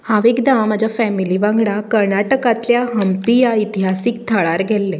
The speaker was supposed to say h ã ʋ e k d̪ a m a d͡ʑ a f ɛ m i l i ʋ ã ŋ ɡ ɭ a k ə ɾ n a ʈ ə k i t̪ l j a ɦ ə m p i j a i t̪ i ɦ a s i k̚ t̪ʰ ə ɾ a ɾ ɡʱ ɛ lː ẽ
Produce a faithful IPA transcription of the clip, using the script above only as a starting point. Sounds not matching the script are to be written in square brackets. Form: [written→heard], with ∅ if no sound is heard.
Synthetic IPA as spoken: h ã ʋ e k d̪ a m a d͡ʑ a f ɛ m i l i ʋ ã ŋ ɡ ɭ a k ə ɾ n a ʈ ə k [i→a] t̪ l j a ɦ ə m p i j a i t̪ i ɦ a s i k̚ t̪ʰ ə [ɾ→ɭ] a ɾ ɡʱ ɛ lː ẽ